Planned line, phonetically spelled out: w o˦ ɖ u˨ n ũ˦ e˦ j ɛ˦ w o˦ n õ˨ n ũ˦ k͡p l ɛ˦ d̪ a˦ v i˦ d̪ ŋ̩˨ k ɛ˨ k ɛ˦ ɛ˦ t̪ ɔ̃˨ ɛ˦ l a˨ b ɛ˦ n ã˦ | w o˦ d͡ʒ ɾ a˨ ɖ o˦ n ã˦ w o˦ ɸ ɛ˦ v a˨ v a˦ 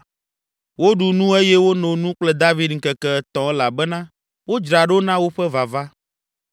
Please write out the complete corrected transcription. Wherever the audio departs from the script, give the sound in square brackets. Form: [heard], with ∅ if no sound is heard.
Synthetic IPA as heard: w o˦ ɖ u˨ n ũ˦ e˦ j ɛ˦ w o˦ n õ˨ n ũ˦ k͡p l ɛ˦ d̪ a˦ v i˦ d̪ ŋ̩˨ k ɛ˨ k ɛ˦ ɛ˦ t̪ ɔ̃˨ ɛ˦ l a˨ b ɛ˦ n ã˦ | w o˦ d͡ʒ ɾ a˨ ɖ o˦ n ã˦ w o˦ ɸ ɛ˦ v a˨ v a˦

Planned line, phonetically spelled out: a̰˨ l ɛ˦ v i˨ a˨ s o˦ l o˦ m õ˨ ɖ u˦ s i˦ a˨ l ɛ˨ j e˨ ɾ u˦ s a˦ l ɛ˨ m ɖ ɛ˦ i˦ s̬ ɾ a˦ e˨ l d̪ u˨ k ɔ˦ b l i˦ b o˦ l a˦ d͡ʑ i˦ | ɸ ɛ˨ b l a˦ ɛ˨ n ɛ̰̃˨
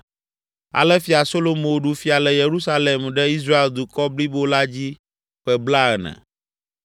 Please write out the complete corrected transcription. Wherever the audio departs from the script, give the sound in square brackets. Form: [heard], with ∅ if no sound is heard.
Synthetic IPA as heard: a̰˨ l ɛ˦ [f] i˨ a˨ s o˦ l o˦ m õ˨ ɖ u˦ [f] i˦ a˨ l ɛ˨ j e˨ ɾ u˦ s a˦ l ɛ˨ m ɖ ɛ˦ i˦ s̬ ɾ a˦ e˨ l d̪ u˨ k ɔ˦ b l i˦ b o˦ l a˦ d͡ʑ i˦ | ɸ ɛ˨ b l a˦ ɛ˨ n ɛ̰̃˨

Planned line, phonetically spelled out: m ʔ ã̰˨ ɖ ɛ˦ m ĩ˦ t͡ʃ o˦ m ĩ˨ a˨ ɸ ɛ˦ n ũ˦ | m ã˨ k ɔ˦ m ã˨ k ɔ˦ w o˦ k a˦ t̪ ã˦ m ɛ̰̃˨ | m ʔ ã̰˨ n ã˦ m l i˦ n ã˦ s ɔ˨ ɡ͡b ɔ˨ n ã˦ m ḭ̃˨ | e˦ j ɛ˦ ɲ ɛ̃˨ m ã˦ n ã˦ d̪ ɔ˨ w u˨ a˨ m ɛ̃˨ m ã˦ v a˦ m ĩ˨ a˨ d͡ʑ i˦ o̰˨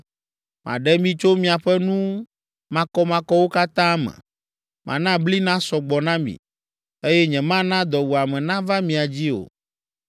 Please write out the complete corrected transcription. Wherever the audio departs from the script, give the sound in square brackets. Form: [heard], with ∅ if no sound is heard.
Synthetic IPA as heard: m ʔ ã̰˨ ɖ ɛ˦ m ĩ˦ t͡ʃ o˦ m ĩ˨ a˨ ɸ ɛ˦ n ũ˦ | m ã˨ k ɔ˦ m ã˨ k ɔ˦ w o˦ k a˦ t̪ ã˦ m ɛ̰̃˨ | m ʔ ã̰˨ n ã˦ [b] l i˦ n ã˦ s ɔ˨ ɡ͡b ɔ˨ n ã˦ m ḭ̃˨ | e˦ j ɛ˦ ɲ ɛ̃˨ m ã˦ n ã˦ d̪ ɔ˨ w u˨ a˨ m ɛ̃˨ [n] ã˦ v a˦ m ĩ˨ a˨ d͡ʑ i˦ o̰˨

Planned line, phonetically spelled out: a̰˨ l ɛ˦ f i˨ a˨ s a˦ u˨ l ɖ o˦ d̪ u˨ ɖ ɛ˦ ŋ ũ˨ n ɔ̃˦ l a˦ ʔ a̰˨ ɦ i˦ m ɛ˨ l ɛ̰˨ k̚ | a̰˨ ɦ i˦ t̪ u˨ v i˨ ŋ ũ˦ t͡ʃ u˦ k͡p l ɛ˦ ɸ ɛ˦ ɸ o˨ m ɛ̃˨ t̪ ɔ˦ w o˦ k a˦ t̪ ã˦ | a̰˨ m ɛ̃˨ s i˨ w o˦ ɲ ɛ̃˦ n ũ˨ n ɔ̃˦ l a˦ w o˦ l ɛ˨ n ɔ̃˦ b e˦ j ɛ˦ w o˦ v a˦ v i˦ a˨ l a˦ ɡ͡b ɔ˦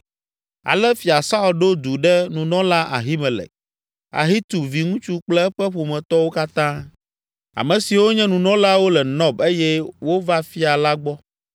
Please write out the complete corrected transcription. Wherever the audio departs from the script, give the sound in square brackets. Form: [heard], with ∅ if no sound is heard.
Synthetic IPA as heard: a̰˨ l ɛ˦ f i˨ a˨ s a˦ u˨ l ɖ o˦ d̪ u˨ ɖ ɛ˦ [n] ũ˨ n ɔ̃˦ l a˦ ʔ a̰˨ ɦ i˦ m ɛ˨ l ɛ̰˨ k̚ | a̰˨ ɦ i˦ t̪ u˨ v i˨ ŋ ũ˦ t͡ʃ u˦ k͡p l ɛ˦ ɸ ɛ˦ ɸ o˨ m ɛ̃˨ t̪ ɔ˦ w o˦ k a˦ t̪ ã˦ | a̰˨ m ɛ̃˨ s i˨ w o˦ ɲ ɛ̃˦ n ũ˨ n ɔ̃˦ l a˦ w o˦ l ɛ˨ n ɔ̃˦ b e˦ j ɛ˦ w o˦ v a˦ [f] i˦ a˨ l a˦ ɡ͡b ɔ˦

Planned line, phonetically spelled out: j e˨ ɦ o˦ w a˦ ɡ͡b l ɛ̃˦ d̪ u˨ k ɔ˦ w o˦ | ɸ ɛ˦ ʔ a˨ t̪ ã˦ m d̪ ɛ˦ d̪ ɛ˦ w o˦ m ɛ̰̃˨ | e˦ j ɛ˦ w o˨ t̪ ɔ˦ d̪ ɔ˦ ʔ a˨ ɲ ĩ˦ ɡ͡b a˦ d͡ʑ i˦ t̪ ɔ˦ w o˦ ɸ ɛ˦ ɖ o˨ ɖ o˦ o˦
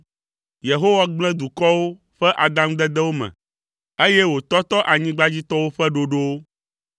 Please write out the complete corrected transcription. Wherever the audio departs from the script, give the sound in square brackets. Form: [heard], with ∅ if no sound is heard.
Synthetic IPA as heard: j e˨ ɦ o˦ w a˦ ɡ͡b l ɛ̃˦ d̪ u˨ k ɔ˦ w o˦ | ɸ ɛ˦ ʔ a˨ [d̪] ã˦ m d̪ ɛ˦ d̪ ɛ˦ w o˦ m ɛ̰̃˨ | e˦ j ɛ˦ w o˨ t̪ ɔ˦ [t̪] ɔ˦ ʔ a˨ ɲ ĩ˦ ɡ͡b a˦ d͡ʑ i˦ t̪ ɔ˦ w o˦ ɸ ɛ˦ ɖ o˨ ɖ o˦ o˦

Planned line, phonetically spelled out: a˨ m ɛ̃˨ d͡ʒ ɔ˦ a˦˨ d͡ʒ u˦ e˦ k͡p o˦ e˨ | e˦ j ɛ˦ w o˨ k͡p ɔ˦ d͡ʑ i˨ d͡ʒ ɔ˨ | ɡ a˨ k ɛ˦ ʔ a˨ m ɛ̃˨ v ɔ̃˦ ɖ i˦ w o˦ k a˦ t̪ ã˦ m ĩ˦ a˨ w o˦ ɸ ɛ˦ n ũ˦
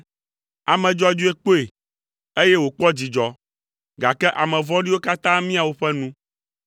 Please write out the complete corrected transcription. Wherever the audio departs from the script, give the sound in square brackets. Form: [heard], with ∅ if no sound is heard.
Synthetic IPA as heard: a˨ m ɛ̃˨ d͡ʒ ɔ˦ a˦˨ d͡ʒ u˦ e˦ k͡p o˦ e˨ | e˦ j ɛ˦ w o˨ k͡p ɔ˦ d͡ʑ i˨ d͡ʒ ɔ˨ | ɡ a˨ k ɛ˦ ʔ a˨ m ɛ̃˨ v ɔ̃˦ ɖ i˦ w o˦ k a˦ t̪ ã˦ m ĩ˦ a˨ w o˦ ɸ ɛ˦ n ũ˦

